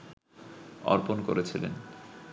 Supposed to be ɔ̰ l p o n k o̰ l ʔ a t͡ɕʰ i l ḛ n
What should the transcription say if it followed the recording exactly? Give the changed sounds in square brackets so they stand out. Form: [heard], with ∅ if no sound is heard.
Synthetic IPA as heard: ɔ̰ [ɾ] p o n k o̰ [ɾ] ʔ [e] t͡ɕʰ i l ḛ n